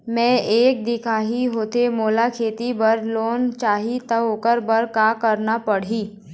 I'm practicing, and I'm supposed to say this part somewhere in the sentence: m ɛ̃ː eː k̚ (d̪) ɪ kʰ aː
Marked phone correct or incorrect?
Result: correct